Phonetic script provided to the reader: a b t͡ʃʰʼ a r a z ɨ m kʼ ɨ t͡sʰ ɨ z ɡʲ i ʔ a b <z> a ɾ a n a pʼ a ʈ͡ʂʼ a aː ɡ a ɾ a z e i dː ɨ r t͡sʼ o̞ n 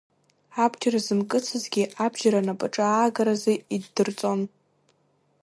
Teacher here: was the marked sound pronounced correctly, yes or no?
no